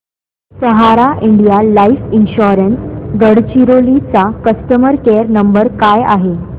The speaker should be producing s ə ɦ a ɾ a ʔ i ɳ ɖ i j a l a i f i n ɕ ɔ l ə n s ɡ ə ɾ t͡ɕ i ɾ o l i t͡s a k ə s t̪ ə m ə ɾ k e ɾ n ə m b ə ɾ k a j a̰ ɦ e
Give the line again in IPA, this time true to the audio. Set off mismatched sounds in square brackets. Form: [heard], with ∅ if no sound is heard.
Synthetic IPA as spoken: s ə ɦ a ɾ a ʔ i ɳ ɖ i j a l a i f i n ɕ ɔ [ɾ] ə n s ɡ ə [ɽ] t͡ɕ i ɾ o l i t͡s a k ə s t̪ ə m ə ɾ k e ɾ n ə m b ə ɾ k a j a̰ ɦ e

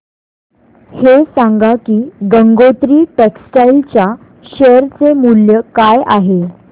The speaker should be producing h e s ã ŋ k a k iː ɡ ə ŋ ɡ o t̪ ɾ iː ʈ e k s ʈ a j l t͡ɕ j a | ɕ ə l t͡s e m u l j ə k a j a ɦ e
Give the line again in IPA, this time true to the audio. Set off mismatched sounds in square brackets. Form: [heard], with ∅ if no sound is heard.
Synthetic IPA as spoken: h e s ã ŋ [ɡ] a k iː ɡ ə ŋ ɡ o t̪ ɾ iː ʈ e k s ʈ a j l t͡ɕ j a | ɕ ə [ɾ] t͡s e m u l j ə k a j a ɦ e

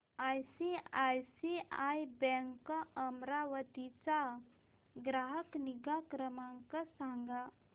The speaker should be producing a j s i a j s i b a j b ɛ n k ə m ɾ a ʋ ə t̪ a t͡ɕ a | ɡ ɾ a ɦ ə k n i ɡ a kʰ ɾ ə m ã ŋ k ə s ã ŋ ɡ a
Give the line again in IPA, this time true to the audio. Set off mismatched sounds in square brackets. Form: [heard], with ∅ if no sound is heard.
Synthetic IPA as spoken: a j s i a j s i [∅] a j b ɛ [ŋ] k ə m ɾ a ʋ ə t̪ [i] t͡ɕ a | ɡ ɾ a ɦ ə k n i ɡ a [k] ɾ ə m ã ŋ k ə s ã ŋ ɡ a

